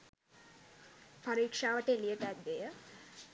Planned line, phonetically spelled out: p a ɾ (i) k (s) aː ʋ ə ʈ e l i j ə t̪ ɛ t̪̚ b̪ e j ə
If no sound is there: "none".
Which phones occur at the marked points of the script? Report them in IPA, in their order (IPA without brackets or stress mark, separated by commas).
iː, ʂ